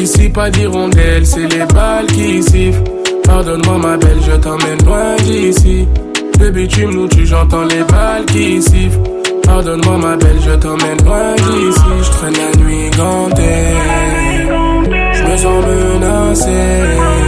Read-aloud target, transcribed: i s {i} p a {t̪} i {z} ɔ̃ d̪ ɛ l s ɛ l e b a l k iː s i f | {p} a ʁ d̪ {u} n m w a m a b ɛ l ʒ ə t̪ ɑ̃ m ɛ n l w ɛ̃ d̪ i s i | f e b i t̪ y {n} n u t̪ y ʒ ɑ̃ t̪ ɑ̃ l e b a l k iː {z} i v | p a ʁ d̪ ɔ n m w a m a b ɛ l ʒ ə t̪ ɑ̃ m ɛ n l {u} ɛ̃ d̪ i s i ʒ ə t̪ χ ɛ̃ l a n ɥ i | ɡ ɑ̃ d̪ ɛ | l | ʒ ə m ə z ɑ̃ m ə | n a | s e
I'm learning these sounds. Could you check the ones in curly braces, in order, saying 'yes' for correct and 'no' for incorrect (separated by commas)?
yes, no, no, yes, no, no, no, no